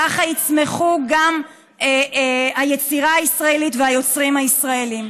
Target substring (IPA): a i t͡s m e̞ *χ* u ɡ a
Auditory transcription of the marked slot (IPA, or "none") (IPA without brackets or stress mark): χ